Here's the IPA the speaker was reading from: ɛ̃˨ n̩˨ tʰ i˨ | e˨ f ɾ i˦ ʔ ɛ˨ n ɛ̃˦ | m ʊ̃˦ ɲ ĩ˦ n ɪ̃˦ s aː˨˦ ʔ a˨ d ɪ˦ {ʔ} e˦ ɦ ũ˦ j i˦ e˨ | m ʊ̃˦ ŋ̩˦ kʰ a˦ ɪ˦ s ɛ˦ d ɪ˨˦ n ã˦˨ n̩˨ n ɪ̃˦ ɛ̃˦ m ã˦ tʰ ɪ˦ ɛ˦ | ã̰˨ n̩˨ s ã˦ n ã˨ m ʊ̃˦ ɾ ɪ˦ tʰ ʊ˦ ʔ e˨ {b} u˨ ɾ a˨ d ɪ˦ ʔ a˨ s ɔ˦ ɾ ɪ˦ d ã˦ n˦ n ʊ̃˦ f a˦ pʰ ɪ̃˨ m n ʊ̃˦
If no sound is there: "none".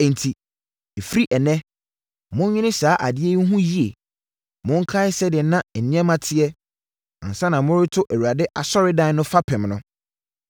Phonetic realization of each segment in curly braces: none, w

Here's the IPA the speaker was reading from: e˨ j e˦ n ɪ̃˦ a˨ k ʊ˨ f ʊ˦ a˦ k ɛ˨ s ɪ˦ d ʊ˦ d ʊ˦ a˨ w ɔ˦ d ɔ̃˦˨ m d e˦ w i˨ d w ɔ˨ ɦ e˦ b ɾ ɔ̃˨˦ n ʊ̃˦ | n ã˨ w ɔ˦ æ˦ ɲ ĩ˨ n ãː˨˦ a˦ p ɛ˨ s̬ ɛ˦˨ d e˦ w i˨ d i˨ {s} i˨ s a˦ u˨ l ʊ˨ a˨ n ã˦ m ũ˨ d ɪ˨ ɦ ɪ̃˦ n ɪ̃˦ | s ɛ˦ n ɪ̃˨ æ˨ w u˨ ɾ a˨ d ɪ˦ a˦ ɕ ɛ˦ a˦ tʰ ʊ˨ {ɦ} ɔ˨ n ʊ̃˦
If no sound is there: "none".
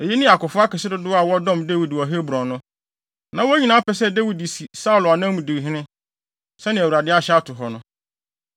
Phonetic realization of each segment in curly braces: s, ɦ

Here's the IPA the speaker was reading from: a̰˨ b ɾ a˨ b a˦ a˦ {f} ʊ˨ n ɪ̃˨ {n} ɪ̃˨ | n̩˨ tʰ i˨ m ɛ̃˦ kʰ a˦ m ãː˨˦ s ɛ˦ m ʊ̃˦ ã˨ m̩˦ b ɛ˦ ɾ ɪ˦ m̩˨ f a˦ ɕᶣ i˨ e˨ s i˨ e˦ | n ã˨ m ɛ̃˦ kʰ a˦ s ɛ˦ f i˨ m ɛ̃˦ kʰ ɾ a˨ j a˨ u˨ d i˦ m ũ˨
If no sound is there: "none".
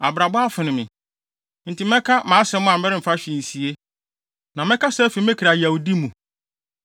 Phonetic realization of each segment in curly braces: f, m

